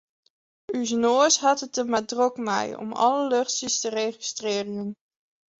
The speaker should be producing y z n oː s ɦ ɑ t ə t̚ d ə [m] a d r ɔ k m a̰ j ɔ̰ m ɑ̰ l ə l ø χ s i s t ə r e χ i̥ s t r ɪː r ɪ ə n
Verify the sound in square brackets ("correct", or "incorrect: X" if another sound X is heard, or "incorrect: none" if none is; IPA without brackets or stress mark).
correct